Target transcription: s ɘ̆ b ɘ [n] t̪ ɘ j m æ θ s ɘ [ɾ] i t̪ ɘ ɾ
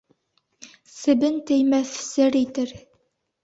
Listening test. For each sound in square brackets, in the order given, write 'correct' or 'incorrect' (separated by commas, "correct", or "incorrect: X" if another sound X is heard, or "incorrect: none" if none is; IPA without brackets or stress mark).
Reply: correct, correct